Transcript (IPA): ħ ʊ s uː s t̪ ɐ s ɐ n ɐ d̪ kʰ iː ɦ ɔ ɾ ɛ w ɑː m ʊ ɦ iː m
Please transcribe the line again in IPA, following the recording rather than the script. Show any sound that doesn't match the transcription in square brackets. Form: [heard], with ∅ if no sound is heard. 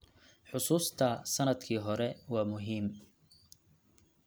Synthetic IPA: ħ ʊ s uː s [t̪ʰ] ɐ s ɐ n ɐ d̪ kʰ iː ɦ ɔ ɾ ɛ w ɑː m ʊ ɦ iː m